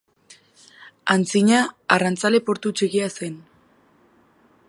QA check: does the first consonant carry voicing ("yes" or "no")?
yes